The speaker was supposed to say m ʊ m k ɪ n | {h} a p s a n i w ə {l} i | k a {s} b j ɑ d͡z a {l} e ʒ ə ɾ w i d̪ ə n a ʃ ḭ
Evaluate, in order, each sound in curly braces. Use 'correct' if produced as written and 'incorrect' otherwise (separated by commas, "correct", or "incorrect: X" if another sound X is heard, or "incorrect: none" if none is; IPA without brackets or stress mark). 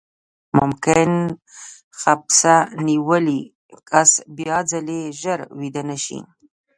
incorrect: x, correct, correct, correct